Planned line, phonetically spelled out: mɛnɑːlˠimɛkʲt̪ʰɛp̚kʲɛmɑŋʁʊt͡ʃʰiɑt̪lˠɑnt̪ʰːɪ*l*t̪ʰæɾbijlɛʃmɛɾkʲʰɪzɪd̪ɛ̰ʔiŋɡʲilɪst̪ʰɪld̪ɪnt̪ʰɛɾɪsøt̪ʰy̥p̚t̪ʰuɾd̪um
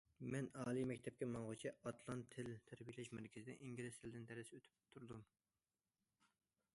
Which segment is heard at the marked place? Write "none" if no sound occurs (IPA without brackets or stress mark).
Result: l